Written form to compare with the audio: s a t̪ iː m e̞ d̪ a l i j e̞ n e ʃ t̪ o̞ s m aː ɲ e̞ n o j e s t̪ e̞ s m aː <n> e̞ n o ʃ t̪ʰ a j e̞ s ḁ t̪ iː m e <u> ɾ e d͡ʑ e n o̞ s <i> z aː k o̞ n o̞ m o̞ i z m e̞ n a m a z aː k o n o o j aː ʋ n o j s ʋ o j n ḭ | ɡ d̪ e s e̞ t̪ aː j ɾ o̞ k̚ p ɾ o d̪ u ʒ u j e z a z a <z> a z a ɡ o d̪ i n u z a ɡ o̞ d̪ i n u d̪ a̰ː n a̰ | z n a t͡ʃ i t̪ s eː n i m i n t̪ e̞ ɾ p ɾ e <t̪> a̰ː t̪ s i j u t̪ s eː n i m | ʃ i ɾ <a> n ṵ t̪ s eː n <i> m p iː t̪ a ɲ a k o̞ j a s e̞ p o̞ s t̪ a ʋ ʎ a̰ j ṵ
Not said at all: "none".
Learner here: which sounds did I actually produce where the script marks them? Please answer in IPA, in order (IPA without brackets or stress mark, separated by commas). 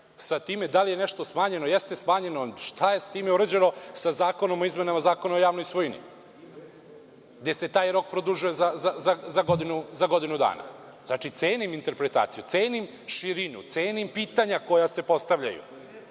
ɲ, u, a, z, t̪, i, i